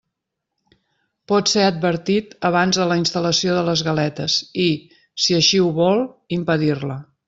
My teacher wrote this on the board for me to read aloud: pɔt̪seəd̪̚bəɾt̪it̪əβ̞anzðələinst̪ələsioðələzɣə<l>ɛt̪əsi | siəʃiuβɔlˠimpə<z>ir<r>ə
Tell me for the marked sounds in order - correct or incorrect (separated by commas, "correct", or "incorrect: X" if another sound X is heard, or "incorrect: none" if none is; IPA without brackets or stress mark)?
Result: correct, incorrect: ð, incorrect: l